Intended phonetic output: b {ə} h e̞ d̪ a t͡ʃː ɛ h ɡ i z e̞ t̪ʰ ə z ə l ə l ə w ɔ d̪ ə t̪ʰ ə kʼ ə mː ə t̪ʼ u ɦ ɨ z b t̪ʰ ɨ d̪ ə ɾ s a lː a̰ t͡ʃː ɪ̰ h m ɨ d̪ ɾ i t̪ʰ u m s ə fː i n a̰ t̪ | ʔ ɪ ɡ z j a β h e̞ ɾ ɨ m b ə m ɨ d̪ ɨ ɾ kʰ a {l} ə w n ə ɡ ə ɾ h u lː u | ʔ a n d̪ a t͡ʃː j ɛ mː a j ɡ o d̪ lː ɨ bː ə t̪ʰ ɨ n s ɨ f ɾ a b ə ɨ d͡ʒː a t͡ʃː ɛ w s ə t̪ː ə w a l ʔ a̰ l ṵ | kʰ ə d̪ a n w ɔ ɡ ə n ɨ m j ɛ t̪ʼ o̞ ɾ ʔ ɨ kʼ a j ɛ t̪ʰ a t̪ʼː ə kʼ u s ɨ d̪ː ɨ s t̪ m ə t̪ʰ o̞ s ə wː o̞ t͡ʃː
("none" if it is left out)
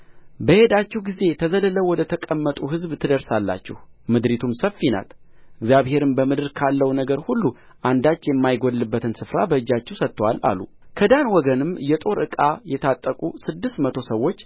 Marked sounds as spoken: ə, lː

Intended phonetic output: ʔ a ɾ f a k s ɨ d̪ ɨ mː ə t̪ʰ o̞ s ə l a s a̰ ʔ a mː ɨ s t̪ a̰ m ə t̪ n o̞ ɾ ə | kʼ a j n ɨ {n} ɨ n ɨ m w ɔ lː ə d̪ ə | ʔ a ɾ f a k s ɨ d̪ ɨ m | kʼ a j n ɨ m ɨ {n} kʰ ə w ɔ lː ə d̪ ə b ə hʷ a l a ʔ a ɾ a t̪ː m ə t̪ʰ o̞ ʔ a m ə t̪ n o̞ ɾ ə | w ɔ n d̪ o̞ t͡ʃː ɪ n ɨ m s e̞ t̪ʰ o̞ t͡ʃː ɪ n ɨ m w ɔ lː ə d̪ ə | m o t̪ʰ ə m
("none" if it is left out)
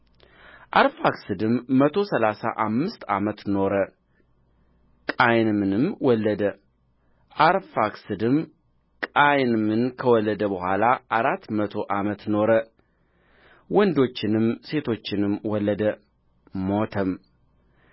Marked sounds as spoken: m, n

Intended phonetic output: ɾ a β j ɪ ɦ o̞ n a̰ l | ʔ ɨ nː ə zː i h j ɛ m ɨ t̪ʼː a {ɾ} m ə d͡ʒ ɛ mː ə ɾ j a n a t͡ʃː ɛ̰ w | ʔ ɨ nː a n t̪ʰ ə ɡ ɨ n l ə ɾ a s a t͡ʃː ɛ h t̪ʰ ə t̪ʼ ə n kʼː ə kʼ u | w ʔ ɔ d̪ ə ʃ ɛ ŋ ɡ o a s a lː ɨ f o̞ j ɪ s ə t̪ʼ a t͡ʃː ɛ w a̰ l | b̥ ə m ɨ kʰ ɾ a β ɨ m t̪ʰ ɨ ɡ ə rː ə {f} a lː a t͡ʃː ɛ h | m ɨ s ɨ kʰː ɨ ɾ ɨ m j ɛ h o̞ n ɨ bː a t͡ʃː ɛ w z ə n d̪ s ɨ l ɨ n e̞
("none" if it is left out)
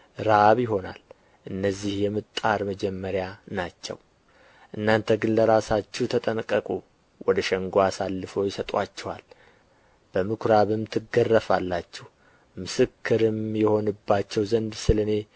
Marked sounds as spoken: ɾ, f

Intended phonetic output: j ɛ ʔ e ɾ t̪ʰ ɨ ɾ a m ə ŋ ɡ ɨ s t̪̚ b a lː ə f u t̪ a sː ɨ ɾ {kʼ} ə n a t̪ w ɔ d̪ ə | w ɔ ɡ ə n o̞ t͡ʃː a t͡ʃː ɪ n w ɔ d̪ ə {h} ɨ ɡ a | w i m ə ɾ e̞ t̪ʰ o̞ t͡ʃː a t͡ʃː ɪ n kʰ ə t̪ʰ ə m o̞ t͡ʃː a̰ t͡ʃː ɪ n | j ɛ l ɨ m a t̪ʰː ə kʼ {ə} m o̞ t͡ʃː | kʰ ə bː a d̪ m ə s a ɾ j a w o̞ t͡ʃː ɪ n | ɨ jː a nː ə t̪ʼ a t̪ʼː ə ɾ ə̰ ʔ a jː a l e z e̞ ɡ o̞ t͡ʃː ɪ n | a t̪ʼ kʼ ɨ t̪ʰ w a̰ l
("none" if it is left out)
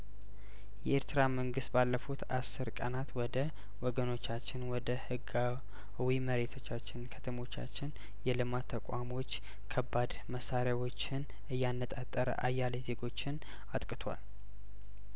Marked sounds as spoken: kʼ, h, a

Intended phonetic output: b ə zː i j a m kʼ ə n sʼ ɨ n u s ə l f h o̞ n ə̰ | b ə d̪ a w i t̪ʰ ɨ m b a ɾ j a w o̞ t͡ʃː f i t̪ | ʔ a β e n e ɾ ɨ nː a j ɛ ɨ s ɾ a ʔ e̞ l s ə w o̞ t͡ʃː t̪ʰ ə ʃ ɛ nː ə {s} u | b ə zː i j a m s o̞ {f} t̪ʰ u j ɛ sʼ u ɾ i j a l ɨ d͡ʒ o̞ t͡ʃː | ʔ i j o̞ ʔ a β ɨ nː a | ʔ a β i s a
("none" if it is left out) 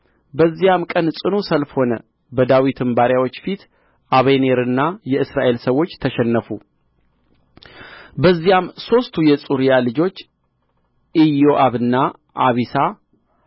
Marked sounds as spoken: f, s

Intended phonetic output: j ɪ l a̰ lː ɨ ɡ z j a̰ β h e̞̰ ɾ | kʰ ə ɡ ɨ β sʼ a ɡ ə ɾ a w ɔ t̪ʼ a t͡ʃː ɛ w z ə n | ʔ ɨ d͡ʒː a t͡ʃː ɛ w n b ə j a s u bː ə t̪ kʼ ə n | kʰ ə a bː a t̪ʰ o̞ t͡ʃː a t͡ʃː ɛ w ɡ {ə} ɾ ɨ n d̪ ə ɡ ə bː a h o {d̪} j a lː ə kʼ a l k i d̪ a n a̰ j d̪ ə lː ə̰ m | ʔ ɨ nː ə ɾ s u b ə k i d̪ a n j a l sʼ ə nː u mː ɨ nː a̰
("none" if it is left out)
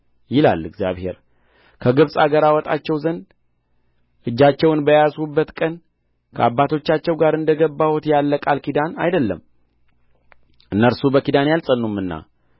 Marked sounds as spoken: a, t̪

